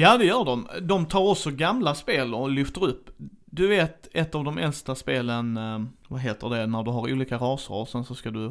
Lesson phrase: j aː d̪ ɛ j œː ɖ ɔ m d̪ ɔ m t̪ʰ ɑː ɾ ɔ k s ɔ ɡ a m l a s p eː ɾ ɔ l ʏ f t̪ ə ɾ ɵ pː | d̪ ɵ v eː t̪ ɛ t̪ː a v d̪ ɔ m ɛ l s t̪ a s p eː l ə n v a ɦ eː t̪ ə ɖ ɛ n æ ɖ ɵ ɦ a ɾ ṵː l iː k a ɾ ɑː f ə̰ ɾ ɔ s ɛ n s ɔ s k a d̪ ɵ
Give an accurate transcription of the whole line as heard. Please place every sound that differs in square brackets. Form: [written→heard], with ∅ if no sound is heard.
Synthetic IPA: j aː d̪ ɛ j œː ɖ ɔ m d̪ ɔ m t̪ʰ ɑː ɾ ɔ k s ɔ ɡ a m l a s p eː [ɾ→l] ɔ l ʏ f t̪ ə ɾ ɵ pː | d̪ ɵ v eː t̪ ɛ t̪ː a v d̪ ɔ m ɛ l s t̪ a s p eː l ə n v a ɦ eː t̪ ə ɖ ɛ n æ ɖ ɵ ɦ a ɾ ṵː l iː k a ɾ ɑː [f→s] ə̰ ɾ ɔ s ɛ n s ɔ s k a d̪ ɵ